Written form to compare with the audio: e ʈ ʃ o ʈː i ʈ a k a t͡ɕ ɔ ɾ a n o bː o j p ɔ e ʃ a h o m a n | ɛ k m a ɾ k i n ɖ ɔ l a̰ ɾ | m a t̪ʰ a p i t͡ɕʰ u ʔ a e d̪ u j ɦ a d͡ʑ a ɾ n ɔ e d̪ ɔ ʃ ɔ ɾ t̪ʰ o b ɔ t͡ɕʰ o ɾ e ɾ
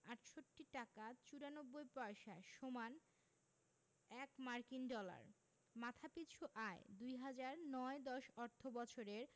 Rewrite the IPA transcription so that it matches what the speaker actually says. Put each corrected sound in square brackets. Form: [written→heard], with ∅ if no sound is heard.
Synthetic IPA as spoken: [e→a] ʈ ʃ o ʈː i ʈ a k a t͡ɕ [ɔ→u] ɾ a n o bː o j p ɔ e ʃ a [h→ʃ] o m a n | ɛ k m a ɾ k i n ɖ ɔ l a̰ ɾ | m a t̪ʰ a p i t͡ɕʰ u ʔ a e d̪ u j ɦ a d͡ʑ a ɾ n ɔ e d̪ ɔ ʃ ɔ ɾ t̪ʰ o b ɔ t͡ɕʰ o ɾ e ɾ